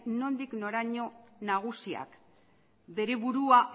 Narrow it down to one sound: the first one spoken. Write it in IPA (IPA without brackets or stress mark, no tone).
n